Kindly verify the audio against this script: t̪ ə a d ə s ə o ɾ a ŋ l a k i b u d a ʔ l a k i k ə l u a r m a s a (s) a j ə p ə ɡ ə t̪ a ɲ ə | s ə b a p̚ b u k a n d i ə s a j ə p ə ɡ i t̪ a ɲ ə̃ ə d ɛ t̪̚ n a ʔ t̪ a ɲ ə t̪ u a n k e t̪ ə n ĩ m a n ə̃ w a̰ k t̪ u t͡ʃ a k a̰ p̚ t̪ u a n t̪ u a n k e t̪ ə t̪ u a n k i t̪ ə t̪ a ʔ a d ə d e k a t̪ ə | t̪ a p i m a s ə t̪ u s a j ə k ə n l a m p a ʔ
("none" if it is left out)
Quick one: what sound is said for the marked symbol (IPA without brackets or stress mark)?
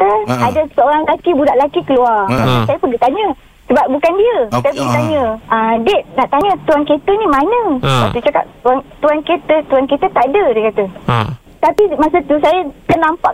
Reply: s